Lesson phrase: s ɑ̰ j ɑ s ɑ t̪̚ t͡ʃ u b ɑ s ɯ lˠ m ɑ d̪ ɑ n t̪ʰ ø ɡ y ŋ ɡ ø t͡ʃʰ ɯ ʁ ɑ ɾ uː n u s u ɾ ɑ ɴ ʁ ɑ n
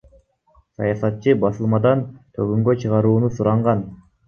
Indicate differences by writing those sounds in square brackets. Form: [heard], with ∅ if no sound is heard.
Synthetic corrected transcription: s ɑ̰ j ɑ s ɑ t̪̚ t͡ʃ [ɯ] b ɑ s ɯ lˠ m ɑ d̪ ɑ n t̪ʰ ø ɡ y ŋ ɡ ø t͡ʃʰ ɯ ʁ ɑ ɾ uː n u s u ɾ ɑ ɴ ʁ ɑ n